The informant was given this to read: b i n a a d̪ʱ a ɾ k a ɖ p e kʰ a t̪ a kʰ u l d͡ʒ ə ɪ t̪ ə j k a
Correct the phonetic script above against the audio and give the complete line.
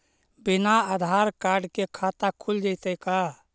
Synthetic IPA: b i n a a d̪ʱ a ɾ k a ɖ k e kʰ a t̪ a kʰ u l d͡ʒ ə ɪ t̪ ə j k a